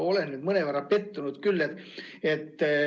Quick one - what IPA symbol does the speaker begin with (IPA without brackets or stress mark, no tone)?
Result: o̞